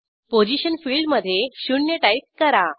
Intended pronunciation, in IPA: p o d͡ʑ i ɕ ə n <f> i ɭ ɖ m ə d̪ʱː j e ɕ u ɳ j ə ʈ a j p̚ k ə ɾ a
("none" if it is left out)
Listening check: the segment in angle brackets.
f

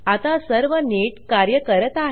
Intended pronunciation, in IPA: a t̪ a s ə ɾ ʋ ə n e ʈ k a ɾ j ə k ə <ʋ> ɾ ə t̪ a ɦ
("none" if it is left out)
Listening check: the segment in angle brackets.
none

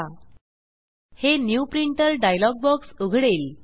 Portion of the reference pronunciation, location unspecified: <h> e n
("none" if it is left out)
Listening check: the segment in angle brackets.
h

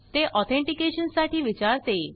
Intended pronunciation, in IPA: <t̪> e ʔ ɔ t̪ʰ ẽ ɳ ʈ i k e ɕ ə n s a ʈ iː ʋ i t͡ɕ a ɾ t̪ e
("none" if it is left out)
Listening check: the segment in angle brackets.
t̪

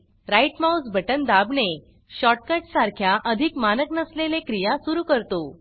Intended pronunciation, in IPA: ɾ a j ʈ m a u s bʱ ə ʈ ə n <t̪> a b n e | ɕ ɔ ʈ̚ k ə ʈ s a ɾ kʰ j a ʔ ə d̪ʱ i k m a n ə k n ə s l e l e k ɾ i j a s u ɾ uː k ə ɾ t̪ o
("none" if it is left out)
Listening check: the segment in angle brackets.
d̪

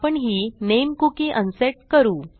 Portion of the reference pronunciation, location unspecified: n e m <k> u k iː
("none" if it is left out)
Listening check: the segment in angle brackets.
k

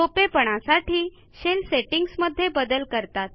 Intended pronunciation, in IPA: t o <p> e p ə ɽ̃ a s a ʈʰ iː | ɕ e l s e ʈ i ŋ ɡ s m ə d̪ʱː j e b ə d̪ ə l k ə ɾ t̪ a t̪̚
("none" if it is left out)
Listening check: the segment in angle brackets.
p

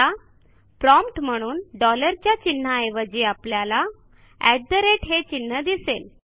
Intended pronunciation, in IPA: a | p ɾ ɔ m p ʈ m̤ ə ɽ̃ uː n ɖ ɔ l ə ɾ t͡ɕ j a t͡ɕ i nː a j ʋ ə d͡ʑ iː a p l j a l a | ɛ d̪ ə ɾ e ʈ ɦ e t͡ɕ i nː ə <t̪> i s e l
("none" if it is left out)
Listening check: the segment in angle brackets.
d̪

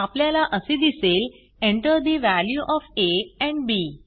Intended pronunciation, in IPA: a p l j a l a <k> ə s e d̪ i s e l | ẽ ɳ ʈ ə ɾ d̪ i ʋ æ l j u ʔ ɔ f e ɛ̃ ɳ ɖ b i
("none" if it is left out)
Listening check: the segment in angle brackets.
ʔ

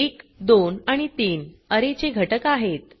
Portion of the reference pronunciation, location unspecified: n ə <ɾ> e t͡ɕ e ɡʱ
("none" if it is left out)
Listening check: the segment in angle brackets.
ɾ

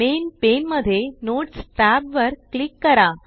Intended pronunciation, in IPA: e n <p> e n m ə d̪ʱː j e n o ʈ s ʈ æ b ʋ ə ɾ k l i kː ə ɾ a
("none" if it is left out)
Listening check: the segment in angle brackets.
p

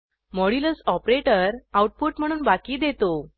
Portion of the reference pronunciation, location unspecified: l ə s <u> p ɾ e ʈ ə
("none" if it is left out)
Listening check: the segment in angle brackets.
ɔ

